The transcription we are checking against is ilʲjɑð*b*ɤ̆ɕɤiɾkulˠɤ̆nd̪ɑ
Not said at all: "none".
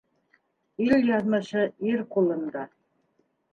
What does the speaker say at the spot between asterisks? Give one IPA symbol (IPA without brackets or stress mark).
m